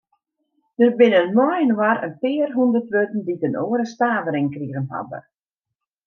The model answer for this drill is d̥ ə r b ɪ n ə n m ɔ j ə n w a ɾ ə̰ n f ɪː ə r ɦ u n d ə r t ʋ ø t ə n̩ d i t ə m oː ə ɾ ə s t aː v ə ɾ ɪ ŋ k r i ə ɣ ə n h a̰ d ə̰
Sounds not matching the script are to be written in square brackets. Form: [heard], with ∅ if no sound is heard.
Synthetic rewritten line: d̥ ə r b ɪ n ə n m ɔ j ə n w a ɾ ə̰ n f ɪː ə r ɦ u n d ə r t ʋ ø t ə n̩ d i t ə [n] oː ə ɾ ə s t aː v ə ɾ ɪ ŋ k r i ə ɣ ə n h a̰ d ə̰